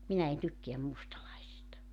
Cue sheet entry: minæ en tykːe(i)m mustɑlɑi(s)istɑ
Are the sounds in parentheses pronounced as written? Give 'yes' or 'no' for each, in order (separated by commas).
no, yes